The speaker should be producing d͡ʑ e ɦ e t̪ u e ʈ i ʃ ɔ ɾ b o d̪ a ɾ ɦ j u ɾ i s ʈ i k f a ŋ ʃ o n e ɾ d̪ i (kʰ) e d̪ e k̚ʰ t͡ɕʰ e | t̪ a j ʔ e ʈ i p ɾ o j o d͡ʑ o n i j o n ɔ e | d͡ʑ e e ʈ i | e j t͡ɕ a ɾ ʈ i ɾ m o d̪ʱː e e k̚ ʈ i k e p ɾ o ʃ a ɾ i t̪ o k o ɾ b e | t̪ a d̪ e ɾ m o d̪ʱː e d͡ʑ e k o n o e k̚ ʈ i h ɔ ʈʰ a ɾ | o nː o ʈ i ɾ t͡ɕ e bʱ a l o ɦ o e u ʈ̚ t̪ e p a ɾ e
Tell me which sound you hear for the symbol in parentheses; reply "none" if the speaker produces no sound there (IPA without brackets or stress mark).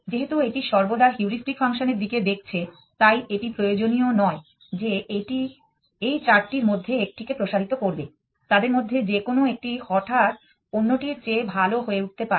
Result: k